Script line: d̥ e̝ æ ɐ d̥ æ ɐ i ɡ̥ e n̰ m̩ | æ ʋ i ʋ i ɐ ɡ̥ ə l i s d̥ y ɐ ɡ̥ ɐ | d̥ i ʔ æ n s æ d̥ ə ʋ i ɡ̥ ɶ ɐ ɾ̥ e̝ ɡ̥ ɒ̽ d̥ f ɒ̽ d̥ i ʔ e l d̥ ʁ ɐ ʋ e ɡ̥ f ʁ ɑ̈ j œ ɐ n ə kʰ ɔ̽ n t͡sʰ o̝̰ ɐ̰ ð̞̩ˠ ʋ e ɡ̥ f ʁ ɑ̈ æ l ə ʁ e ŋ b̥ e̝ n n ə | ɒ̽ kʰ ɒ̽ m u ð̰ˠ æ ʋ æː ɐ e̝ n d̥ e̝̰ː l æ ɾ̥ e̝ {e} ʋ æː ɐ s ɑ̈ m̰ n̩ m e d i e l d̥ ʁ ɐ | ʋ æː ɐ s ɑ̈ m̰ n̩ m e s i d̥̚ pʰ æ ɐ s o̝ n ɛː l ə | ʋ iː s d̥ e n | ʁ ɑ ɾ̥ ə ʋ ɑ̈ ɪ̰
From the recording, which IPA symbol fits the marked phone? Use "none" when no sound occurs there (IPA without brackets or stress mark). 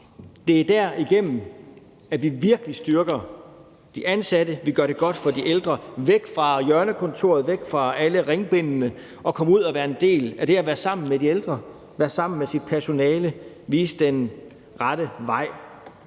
æ